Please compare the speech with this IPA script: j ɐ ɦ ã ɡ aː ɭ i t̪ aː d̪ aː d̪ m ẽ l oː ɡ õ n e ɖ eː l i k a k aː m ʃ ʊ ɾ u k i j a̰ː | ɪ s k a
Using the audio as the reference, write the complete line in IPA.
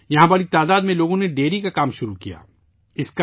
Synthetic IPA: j ɐ ɦ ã b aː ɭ i t̪ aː d̪ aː d̪ m ẽ l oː ɡ õ n e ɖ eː ɾ i k a k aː m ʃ ʊ ɾ u k i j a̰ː | ɪ s k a